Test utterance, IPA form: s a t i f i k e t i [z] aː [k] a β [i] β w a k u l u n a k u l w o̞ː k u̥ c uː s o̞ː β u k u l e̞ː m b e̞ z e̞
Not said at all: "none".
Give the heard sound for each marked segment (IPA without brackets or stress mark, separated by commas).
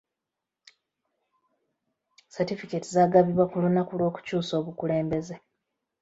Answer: z, ɡ, i